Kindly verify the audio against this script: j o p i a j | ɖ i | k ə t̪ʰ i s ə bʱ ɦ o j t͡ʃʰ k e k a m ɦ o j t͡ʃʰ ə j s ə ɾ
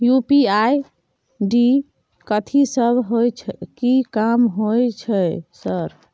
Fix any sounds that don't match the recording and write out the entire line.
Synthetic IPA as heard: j u p i a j | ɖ i | k ə t̪ʰ i s ə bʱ ɦ o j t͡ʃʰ k i k a m ɦ o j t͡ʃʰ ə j s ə ɾ